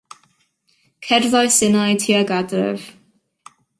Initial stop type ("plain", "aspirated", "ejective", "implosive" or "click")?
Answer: aspirated